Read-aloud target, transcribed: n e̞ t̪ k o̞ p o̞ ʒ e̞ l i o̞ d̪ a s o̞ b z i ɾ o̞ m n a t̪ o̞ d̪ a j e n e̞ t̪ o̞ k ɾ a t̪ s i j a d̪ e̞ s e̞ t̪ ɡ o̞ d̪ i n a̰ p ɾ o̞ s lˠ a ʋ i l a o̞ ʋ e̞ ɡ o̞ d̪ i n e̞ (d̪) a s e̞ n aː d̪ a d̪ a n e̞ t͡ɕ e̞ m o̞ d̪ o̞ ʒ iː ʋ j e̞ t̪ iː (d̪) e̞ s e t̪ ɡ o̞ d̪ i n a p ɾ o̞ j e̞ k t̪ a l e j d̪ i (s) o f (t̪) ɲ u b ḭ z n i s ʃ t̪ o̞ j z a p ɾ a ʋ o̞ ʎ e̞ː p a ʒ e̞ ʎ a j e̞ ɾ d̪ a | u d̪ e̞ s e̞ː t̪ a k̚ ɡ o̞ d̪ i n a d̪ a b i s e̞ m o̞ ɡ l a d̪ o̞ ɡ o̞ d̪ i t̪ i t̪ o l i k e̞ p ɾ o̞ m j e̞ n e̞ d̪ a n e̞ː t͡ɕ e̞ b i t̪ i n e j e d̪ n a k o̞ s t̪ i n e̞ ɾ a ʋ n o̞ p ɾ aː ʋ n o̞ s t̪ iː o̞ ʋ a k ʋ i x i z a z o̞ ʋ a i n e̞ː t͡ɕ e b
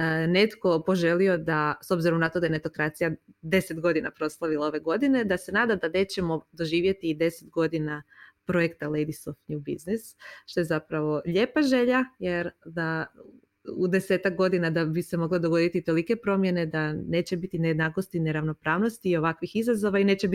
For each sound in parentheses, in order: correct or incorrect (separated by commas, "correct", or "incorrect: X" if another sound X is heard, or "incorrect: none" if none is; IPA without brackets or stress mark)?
correct, correct, correct, correct